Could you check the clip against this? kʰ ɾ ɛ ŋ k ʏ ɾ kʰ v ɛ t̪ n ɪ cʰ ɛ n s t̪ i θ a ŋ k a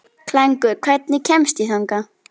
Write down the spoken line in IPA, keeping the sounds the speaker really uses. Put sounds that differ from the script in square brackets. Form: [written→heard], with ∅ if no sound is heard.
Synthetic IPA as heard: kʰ [ɾ→l] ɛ ŋ k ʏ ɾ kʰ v ɛ t̪ n ɪ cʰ ɛ [n→m] s t̪ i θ a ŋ k a